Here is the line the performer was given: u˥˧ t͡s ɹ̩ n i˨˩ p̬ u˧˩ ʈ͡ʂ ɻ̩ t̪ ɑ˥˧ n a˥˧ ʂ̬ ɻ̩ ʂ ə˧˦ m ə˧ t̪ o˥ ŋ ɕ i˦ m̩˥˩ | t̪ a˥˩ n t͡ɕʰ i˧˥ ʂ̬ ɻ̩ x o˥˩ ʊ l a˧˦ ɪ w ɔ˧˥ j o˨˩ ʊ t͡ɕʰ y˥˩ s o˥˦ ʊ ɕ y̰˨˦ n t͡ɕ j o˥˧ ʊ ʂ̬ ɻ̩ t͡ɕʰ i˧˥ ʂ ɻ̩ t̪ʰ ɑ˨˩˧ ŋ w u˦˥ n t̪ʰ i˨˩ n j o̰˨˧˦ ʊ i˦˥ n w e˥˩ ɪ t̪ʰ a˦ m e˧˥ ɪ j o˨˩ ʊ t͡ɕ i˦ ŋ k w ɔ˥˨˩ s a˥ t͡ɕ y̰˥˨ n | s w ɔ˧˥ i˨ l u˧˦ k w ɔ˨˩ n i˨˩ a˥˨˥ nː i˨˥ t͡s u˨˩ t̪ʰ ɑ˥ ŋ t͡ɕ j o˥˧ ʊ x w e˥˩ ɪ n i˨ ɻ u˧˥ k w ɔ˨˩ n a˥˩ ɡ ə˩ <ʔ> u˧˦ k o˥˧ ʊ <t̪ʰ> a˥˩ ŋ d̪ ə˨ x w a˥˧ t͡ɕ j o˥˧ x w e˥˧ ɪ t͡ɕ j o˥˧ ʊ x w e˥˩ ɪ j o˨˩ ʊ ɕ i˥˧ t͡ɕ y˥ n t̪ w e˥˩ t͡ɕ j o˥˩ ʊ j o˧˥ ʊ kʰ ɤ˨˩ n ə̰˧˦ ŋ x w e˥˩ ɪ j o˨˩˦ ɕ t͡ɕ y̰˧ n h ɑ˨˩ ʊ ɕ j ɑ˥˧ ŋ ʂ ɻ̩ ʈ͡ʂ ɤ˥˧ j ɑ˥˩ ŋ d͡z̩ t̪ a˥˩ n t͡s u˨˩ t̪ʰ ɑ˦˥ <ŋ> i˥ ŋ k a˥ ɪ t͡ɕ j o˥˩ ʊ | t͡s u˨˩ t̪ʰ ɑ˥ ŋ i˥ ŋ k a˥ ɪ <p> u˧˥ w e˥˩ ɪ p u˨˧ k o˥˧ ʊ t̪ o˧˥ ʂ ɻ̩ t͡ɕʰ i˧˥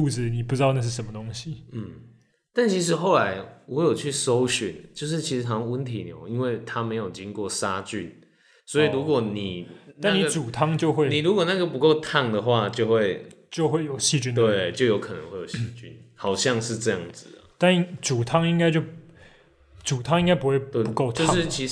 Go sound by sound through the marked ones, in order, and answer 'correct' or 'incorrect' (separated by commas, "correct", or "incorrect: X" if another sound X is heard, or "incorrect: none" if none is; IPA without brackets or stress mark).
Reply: incorrect: p, correct, correct, correct